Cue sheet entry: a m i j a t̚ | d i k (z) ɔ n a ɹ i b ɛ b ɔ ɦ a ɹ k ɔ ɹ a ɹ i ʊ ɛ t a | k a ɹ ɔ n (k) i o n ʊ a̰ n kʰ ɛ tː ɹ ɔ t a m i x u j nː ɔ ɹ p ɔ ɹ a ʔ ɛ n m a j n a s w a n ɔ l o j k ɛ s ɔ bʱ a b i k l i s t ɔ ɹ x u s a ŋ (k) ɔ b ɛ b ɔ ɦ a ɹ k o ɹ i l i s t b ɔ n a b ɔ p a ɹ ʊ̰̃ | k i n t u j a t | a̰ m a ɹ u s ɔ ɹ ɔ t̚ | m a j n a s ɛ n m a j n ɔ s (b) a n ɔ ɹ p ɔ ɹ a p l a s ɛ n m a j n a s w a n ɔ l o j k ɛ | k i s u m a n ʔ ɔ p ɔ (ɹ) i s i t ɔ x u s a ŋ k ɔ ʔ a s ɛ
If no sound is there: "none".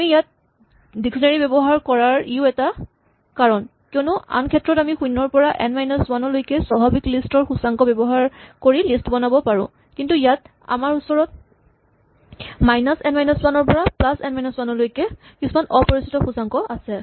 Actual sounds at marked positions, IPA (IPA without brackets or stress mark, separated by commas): s, k, k, w, ɹ